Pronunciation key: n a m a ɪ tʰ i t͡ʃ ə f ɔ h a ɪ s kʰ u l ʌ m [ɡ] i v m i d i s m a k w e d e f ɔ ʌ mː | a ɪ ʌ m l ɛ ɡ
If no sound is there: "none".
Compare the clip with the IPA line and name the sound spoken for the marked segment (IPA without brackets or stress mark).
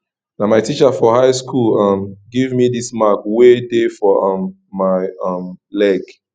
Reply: ɡ